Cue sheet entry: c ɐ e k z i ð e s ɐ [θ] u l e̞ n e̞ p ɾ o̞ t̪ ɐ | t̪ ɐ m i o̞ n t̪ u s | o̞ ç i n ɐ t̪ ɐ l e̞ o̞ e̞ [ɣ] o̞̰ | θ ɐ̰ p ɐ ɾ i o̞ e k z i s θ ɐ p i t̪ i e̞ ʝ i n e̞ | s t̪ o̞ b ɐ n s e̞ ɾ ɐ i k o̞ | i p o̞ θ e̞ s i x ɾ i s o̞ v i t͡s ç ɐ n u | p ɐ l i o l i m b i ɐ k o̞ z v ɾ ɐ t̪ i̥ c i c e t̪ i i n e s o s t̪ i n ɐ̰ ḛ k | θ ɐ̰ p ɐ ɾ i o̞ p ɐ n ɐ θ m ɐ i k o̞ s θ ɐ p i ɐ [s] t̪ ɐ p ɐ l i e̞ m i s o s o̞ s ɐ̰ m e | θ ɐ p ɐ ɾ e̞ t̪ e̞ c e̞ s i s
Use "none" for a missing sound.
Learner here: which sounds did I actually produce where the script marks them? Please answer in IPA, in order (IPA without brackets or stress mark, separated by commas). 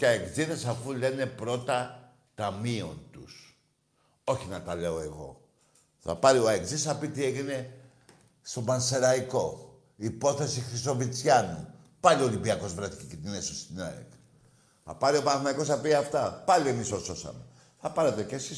f, ɣ, f